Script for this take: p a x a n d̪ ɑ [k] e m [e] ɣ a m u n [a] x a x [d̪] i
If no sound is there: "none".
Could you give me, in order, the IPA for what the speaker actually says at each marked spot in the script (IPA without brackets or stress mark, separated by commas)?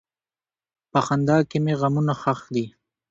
k, e, a, d̪